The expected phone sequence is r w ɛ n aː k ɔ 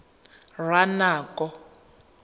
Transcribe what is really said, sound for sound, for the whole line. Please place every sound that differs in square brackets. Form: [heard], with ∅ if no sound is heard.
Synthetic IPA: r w [a] n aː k ɔ